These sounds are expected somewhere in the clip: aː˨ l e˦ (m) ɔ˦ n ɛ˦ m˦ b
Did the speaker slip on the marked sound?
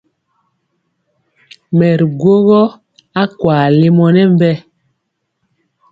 no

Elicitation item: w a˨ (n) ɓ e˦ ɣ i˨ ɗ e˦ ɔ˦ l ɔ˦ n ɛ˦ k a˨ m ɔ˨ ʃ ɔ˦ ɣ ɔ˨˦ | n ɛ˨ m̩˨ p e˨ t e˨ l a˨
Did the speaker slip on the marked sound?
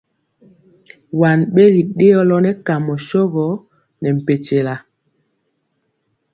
no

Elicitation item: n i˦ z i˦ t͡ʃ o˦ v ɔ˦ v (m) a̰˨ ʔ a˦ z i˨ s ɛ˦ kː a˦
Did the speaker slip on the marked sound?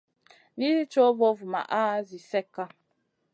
no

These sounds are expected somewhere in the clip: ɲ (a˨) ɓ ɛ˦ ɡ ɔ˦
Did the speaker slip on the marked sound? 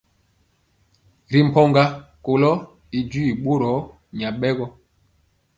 no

